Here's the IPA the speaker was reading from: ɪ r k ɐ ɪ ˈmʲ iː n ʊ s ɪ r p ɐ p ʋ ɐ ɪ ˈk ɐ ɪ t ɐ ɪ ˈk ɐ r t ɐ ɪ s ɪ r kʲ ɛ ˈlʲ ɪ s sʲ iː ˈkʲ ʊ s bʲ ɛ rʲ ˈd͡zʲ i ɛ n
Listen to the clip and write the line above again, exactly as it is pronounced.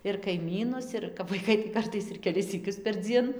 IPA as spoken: ɪ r k ɐ ɪ ˈmʲ iː n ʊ s ɪ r k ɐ p ʋ ɐ ɪ ˈk ɐ ɪ t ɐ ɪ ˈk ɐ r t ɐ ɪ s ɪ r kʲ ɛ ˈlʲ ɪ s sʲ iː ˈkʲ ʊ s pʲ ɛ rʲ ˈd͡zʲ i ɛ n